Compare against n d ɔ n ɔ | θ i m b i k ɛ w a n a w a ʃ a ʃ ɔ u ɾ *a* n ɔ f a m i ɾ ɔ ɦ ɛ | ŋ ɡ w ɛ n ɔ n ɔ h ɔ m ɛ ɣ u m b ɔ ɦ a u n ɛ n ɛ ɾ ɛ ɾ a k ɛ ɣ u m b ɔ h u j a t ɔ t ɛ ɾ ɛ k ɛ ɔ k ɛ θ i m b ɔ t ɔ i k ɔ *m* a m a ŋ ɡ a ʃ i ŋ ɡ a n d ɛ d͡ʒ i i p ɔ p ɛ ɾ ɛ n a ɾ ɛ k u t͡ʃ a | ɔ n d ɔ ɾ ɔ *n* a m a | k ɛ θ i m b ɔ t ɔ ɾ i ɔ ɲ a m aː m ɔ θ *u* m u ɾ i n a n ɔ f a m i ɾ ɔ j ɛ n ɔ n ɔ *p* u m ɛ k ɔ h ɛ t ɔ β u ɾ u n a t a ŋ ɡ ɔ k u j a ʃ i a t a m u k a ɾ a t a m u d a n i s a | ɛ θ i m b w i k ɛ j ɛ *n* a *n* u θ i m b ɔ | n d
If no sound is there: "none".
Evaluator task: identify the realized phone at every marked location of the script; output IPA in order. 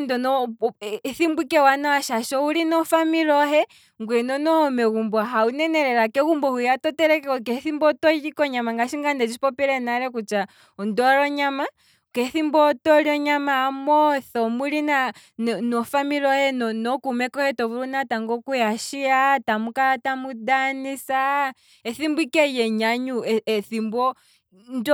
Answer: i, ɲ, ɲ, ɔ, k, ɲ, ɲ

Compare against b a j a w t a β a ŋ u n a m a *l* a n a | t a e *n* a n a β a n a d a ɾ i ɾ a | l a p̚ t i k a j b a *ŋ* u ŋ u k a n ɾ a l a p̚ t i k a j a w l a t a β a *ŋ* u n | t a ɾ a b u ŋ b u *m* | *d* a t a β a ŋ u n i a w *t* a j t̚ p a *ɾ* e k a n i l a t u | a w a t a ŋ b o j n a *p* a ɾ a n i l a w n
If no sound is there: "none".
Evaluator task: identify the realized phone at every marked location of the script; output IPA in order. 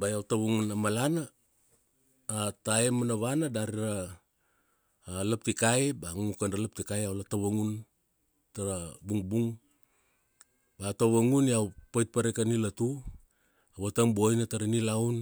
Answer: l, m, ŋ, ŋ, ŋ, b, p, ɾ, t

